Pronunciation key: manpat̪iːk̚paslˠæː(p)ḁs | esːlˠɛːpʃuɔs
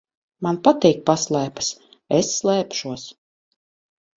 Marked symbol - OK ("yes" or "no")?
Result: yes